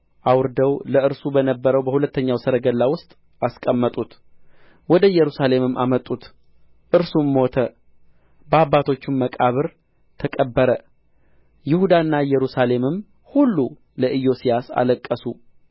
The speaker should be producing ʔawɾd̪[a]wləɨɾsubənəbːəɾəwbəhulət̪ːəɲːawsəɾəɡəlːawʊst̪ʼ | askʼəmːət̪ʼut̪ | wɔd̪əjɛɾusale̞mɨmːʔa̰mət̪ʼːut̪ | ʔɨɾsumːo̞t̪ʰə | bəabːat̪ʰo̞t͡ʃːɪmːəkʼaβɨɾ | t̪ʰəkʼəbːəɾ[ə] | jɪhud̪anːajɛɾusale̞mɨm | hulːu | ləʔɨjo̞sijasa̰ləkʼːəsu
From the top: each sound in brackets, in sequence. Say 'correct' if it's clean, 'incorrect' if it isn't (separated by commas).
incorrect, correct